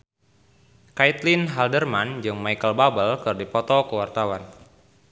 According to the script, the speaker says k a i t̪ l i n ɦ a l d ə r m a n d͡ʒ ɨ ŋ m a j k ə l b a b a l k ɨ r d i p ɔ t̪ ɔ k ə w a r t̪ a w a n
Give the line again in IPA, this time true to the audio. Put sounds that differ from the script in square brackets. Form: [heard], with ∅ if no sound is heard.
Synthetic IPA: k a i t̪ l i n ɦ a l d ə r m a n d͡ʒ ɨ ŋ m a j k ə l b a b [ə] l k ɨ r d i p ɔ t̪ ɔ k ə w a r t̪ a w a n